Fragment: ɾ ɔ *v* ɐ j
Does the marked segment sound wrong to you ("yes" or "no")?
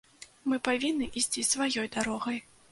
yes